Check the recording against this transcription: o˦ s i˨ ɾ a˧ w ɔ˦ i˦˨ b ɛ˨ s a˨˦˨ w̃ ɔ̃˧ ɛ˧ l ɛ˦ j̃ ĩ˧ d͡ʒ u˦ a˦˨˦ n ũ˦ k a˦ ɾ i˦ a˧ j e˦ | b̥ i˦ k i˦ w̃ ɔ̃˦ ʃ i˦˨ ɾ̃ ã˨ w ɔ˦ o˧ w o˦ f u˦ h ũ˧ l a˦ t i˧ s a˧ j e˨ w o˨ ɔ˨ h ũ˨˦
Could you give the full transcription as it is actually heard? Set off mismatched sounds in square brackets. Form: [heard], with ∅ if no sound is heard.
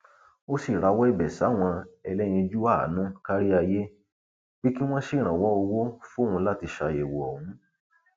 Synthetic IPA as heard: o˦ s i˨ ɾ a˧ w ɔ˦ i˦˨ b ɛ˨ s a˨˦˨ w̃ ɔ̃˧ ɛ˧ l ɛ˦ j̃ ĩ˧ d͡ʒ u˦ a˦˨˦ n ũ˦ k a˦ ɾ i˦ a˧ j e˦ | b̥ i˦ k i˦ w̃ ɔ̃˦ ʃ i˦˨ ɾ̃ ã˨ w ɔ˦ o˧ w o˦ f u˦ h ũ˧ l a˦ t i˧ [ʃ] a˧ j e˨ w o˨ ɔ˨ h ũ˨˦